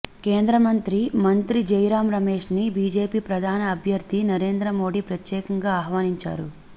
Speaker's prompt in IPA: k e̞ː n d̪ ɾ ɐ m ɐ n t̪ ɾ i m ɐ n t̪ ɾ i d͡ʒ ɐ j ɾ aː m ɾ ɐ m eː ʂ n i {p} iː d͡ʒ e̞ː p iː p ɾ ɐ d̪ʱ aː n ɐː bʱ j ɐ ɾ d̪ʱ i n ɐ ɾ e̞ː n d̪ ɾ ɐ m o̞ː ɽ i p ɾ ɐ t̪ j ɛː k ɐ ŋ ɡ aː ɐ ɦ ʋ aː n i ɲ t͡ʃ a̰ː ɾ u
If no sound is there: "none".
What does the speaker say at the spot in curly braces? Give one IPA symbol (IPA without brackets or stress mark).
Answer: b